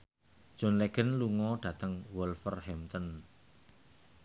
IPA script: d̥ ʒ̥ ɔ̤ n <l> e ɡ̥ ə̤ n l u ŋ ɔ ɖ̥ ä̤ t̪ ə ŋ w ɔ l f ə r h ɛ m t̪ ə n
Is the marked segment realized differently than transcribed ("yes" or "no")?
no